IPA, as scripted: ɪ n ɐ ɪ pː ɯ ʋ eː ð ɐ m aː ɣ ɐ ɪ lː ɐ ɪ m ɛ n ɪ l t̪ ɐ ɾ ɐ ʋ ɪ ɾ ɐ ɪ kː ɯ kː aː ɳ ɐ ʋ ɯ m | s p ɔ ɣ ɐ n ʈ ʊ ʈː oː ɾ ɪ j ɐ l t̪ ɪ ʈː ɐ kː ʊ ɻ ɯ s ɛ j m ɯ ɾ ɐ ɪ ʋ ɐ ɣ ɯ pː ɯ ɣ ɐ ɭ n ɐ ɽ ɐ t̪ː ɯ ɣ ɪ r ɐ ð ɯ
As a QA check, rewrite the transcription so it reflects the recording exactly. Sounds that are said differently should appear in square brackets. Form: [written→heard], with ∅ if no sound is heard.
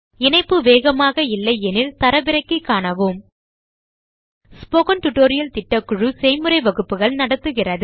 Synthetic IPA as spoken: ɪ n ɐ ɪ pː ɯ ʋ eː [ð→ɣ] ɐ m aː ɣ ɐ ɪ lː ɐ ɪ [m→∅] ɛ n ɪ l t̪ ɐ ɾ ɐ ʋ ɪ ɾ ɐ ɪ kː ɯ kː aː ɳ ɐ ʋ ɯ m | s p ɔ ɣ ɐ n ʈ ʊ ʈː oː ɾ ɪ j ɐ l t̪ ɪ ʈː ɐ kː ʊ ɻ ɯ s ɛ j m ɯ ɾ ɐ ɪ ʋ ɐ ɣ ɯ pː ɯ ɣ ɐ ɭ n ɐ ɽ ɐ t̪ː ɯ ɣ ɪ r ɐ ð ɯ

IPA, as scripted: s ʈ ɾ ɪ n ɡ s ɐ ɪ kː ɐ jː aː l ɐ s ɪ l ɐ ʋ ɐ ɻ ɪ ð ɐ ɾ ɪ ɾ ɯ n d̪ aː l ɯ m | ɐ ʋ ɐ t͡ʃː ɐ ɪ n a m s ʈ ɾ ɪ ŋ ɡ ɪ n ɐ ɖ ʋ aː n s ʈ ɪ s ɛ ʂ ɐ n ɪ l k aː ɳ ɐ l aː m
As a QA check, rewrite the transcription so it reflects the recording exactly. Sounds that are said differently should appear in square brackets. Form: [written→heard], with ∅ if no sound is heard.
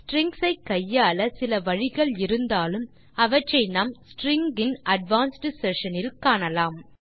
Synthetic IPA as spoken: s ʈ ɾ ɪ [n→ŋ] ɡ s ɐ ɪ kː ɐ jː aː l ɐ s ɪ l ɐ ʋ ɐ ɻ ɪ [ð→ɣ] ɐ [ɾ→ɭ] ɪ ɾ ɯ n d̪ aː l ɯ m | ɐ ʋ ɐ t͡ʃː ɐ ɪ n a m s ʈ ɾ ɪ ŋ ɡ ɪ n ɐ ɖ ʋ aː n s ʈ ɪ s ɛ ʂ ɐ n ɪ l k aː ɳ ɐ l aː m

